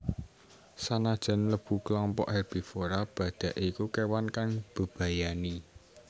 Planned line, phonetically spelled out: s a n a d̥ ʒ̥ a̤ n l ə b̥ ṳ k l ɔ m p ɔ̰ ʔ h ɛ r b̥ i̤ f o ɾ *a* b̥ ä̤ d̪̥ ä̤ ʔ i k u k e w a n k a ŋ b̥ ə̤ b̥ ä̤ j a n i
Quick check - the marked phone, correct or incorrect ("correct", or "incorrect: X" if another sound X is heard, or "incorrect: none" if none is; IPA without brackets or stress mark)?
correct